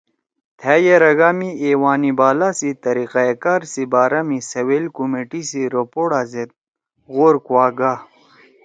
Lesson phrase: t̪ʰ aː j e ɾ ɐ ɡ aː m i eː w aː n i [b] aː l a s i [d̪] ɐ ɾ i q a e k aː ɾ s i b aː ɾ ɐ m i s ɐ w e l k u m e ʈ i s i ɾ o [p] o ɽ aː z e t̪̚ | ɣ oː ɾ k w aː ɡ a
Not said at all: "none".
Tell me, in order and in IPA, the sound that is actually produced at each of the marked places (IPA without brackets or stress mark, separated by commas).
b, t̪, p